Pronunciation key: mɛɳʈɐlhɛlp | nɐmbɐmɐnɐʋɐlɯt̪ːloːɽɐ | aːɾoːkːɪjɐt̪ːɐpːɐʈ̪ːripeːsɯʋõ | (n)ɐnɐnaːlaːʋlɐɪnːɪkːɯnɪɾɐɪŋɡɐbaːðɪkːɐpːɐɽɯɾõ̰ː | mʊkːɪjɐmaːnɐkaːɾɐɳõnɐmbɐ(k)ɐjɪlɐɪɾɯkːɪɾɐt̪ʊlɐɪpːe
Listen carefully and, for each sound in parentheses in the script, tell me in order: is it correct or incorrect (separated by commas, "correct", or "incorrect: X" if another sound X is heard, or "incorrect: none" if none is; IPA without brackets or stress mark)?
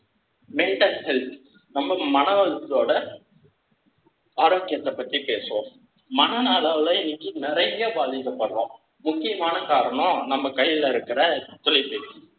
incorrect: m, correct